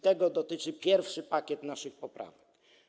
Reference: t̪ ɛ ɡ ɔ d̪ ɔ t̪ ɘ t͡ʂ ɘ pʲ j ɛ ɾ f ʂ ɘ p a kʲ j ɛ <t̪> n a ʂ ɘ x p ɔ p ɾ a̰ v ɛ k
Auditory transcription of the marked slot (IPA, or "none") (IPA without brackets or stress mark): t̪